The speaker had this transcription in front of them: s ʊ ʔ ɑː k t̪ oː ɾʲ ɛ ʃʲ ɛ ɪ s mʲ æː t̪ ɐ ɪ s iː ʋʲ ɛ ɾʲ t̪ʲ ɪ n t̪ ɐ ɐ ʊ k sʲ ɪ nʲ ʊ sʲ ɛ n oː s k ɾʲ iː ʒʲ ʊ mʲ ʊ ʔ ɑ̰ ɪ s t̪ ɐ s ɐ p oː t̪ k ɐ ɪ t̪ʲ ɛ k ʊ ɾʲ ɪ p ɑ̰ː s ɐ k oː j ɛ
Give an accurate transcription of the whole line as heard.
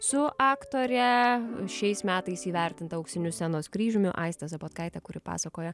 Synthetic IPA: s ʊ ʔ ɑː k t̪ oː ɾʲ ɛ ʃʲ ɛ ɪ s mʲ æː t̪ ɐ ɪ s iː ʋʲ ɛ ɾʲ t̪ʲ ɪ n t̪ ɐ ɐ ʊ k sʲ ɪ nʲ ʊ sʲ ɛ n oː s k ɾʲ iː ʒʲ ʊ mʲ ʊ ʔ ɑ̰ ɪ s t̪ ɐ s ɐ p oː t̪ k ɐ ɪ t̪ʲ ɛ k ʊ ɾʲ ɪ p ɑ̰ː s ɐ k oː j ɛ